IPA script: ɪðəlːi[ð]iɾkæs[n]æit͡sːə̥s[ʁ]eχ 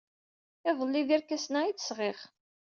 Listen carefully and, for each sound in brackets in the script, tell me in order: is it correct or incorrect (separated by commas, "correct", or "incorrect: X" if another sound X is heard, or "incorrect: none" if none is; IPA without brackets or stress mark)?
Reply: correct, correct, correct